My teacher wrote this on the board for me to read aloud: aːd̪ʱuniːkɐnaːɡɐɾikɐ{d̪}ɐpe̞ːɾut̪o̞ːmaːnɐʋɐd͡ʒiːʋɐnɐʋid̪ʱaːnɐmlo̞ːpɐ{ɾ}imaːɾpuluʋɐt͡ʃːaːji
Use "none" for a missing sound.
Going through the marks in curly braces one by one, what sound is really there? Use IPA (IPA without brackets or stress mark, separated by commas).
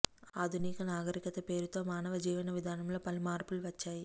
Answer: t̪, l